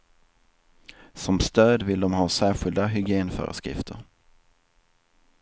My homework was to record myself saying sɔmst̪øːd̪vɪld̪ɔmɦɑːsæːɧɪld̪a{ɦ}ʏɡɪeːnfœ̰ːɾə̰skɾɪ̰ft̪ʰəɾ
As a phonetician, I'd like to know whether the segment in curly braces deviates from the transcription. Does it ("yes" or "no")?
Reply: no